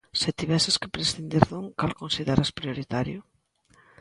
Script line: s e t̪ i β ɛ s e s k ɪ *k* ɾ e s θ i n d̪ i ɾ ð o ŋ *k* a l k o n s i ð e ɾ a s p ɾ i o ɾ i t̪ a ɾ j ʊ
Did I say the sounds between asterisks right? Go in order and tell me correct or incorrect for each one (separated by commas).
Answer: incorrect, correct